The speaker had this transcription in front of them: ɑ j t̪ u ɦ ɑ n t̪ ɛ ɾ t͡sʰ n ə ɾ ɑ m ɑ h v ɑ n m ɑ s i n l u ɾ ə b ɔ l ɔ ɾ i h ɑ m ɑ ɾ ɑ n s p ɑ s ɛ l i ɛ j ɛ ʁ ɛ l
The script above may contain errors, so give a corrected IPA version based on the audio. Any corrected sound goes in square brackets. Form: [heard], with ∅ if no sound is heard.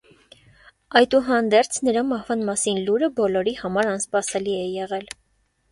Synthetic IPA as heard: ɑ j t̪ u ɦ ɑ n [d̪] ɛ ɾ t͡sʰ n ə ɾ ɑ m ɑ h v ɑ n m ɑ s i n l u ɾ ə b ɔ l ɔ ɾ i h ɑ m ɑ ɾ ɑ n s p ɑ s ɛ l i ɛ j ɛ ʁ ɛ l